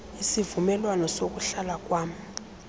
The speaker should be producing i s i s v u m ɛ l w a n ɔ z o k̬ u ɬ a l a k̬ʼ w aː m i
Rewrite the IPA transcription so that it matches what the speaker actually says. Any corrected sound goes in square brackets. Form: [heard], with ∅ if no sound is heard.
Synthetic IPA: i s i [∅] v u m ɛ l w a n ɔ [s] o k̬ u ɬ a l a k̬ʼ w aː m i